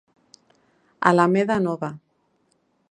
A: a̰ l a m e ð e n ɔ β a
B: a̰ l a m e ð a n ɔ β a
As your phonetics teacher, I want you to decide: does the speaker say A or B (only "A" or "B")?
B